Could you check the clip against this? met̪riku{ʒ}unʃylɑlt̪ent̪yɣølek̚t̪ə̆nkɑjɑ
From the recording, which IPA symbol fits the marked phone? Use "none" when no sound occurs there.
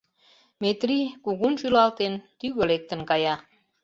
ɣ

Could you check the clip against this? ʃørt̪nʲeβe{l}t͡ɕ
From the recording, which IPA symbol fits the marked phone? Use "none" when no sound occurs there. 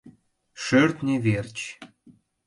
r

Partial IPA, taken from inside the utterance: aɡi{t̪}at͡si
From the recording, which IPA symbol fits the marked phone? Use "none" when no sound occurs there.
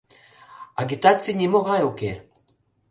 t̪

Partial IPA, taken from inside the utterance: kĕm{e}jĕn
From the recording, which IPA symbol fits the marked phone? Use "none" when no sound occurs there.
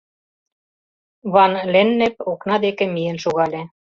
i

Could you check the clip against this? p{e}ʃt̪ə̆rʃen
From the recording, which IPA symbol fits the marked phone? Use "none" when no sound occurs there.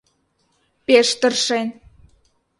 e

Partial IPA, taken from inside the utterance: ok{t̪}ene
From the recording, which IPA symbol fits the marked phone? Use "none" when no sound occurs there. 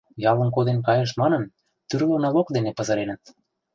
d̪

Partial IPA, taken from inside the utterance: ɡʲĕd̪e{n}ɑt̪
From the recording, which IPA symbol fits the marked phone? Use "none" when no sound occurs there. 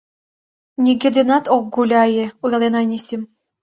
n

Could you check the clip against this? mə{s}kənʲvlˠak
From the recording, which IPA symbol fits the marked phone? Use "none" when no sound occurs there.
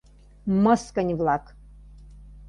s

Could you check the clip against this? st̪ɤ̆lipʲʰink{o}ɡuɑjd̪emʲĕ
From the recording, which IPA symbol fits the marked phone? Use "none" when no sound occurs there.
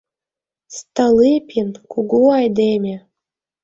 u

